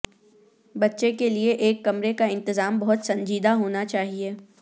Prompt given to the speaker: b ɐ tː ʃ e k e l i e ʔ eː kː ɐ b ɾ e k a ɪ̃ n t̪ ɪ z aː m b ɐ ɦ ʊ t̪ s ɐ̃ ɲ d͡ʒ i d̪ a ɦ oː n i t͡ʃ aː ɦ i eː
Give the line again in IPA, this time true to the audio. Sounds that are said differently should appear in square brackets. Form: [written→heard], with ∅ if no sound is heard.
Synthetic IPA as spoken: b ɐ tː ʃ e k e l i e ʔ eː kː ɐ [b→m] ɾ e k a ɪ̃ n t̪ ɪ z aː m b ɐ ɦ ʊ t̪ s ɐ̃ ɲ d͡ʒ [i→iː] d̪ a ɦ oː n [i→a] t͡ʃ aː ɦ i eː